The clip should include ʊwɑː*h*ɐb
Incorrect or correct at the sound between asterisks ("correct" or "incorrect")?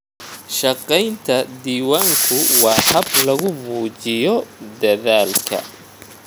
correct